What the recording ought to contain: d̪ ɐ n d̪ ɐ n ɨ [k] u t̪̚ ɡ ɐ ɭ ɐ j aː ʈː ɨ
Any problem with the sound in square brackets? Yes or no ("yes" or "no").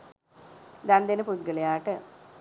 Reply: yes